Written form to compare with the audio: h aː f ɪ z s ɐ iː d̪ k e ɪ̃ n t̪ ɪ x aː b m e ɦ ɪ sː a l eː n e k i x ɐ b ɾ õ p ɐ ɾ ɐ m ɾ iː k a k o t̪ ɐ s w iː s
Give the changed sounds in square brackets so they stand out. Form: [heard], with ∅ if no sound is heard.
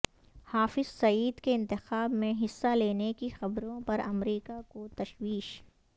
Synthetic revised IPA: h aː f ɪ z s ɐ iː d̪ k e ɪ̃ n t̪ ɪ x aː b m [ẽ] ɦ ɪ sː a l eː n e k i x ɐ b ɾ õ p ɐ ɾ ɐ m ɾ iː k a k o t̪ ɐ [ʃ] w iː [ʃ]